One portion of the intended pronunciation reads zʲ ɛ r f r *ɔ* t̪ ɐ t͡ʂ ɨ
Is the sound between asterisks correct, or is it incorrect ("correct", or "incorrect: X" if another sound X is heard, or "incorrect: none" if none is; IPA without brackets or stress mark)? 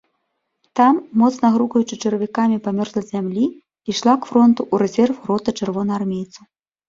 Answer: correct